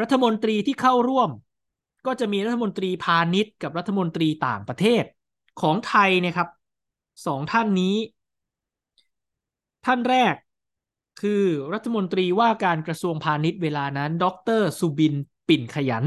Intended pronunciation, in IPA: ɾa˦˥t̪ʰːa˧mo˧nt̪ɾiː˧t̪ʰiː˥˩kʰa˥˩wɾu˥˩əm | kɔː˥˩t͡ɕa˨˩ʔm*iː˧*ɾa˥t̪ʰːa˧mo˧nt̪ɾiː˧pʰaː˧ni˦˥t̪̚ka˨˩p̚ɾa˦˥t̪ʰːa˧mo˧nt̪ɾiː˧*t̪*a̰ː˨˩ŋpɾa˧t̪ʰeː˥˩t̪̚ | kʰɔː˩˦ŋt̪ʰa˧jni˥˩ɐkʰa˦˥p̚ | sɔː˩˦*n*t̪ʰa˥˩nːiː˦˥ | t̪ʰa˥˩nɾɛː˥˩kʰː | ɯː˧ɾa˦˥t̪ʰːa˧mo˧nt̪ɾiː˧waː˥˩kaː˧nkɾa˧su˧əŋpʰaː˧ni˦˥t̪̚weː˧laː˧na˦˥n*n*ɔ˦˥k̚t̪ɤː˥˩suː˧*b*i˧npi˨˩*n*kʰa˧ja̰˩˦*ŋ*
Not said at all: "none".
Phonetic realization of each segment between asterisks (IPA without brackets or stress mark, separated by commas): iː˧, t̪, ŋ, d, b, n, n